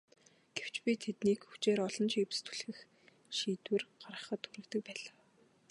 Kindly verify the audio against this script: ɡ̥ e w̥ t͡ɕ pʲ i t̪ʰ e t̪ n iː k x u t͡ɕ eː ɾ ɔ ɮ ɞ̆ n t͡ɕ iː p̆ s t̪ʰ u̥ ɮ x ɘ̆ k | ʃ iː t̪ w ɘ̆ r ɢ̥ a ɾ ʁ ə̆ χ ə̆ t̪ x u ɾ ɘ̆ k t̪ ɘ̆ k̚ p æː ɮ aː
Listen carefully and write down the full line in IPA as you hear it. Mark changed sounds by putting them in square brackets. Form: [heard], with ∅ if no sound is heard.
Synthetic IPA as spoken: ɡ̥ e w̥ t͡ɕ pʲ i t̪ʰ e t̪ n iː k x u t͡ɕ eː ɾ ɔ ɮ ɞ̆ n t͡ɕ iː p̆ s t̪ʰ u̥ ɮ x ɘ̆ [x] | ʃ iː t̪ w ɘ̆ r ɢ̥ a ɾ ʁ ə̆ χ ə̆ t̪ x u ɾ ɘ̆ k t̪ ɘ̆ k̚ p æː ɮ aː